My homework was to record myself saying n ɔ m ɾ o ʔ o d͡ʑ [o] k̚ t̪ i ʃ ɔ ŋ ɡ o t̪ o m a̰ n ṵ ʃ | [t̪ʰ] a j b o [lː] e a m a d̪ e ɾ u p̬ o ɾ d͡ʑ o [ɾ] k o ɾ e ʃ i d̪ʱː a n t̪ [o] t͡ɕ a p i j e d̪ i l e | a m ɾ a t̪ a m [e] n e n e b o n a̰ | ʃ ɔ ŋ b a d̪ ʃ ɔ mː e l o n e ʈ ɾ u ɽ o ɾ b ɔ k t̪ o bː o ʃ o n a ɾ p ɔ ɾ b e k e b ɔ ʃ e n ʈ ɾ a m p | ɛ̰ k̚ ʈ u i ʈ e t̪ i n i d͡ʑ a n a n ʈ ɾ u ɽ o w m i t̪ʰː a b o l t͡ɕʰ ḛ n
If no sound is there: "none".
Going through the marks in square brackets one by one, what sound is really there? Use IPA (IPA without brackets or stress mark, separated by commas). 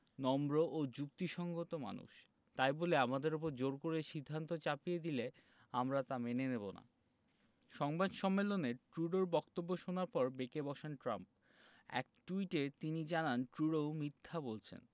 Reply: u, t̪, l, ɾ, o, e